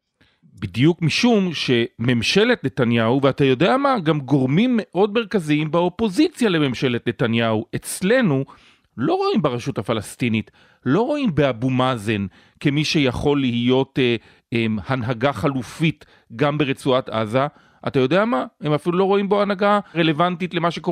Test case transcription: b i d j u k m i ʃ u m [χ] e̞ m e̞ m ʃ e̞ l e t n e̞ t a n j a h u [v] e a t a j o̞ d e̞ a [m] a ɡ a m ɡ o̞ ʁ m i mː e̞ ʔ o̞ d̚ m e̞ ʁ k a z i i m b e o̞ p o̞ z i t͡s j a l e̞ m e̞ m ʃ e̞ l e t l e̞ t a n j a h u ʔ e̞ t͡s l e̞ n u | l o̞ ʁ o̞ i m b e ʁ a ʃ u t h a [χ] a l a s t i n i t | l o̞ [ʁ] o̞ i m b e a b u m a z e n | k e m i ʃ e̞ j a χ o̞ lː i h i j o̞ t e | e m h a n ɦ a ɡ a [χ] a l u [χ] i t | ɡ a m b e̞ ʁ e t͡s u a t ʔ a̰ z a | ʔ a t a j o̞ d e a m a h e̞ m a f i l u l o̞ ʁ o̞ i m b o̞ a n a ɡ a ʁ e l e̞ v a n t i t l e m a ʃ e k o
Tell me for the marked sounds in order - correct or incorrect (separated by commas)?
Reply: incorrect, correct, correct, incorrect, correct, correct, incorrect